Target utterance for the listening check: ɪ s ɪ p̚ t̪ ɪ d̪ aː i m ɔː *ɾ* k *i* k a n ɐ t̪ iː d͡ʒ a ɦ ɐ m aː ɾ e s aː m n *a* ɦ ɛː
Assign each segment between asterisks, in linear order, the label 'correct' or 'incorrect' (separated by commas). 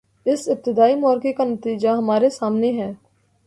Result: correct, incorrect, incorrect